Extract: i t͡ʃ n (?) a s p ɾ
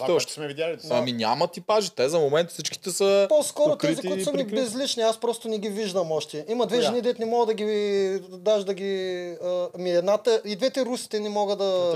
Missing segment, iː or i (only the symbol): i